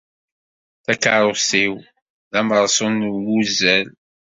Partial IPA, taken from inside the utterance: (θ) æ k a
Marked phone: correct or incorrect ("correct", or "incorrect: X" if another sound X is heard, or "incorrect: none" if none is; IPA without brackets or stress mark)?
correct